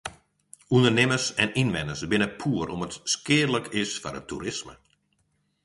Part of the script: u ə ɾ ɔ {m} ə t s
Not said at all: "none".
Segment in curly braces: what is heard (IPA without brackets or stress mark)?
m